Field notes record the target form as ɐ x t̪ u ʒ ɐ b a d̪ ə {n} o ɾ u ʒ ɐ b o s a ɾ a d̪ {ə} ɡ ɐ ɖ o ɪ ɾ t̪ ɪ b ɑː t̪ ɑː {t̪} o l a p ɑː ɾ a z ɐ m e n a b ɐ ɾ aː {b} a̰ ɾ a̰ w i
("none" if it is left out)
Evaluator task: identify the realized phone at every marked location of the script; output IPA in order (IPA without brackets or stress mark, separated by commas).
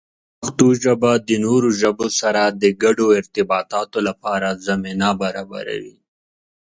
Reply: n, ə, t̪, b